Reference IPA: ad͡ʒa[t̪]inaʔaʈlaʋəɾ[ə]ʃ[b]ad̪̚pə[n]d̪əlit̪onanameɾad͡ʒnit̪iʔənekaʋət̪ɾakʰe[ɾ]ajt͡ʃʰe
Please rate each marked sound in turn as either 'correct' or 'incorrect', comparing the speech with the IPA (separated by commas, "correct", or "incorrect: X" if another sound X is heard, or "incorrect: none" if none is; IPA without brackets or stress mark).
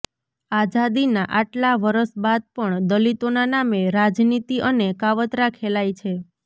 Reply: incorrect: d̪, correct, correct, incorrect: ɳ, incorrect: l